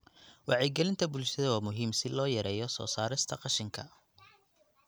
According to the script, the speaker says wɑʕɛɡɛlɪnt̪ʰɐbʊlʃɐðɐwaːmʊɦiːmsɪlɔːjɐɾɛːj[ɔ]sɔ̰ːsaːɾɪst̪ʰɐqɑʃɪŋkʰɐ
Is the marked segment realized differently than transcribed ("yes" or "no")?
no